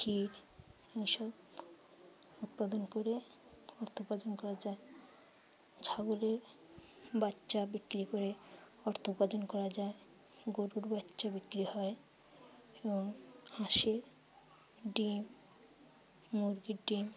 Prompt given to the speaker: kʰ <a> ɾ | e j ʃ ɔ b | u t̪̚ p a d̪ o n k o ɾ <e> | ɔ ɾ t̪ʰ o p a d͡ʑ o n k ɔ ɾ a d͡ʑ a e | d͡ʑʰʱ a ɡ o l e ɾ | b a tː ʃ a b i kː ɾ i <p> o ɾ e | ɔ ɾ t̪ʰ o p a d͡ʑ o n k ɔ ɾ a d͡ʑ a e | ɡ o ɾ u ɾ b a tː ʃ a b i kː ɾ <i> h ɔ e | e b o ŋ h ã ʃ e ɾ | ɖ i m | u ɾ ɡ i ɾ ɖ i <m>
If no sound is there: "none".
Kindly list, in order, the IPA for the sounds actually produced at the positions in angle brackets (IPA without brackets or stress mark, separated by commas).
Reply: i, e, k, i, m